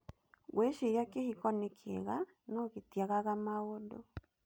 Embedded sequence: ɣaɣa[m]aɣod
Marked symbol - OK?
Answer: yes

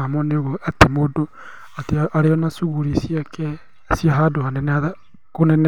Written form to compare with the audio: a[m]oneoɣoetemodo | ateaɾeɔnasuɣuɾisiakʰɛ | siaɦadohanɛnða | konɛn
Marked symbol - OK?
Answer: yes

